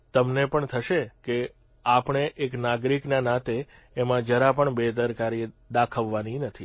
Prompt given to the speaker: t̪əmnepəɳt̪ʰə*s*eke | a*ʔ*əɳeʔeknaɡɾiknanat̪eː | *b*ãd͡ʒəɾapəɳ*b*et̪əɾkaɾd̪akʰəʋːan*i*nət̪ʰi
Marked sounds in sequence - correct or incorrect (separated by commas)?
incorrect, incorrect, incorrect, correct, correct